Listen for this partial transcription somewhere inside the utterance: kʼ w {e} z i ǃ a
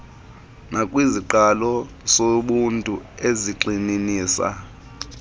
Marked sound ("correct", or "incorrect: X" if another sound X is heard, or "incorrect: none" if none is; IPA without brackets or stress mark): incorrect: i